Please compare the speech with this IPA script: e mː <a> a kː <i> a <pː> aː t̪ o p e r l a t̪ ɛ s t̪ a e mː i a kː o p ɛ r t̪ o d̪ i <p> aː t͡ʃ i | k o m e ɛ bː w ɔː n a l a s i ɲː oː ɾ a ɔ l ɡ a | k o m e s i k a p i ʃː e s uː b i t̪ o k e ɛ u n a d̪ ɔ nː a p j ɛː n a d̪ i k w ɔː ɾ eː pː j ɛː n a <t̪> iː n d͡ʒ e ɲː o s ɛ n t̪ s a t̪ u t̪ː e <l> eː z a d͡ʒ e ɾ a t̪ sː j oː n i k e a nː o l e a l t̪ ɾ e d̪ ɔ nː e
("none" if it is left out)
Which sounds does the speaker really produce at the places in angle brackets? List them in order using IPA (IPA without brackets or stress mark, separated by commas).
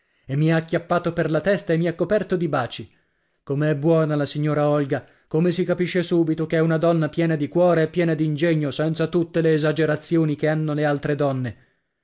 i, j, pː, b, d̪, l